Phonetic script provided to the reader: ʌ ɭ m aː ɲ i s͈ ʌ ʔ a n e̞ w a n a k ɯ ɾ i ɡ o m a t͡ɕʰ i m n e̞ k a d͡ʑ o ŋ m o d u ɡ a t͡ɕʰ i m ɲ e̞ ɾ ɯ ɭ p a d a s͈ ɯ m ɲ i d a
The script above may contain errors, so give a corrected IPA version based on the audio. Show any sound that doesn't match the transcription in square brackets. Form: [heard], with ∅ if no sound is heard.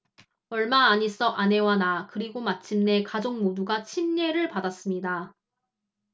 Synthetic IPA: ʌ ɭ m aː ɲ i s͈ ʌ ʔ a n e̞ w a n a k ɯ ɾ i ɡ o m a t͡ɕʰ i m n e̞ k a d͡ʑ o ŋ m o d u ɡ a t͡ɕʰ i m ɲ e̞ ɾ ɯ ɭ p a d a s͈ ɯ m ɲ i d a